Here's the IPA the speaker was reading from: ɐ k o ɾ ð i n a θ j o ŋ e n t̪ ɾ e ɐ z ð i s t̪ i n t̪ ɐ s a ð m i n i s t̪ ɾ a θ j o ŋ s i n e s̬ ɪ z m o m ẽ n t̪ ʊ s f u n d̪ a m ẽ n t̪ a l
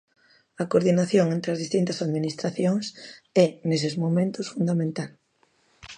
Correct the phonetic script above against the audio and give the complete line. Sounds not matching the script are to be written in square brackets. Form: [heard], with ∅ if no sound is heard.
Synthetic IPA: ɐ k o ɾ ð i n a θ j o ŋ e n t̪ ɾ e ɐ z ð i s t̪ i n t̪ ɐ s a ð m i n i s t̪ ɾ a θ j o ŋ s [ɛ] n e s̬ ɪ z m o m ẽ n t̪ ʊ s f u n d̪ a m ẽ n t̪ a l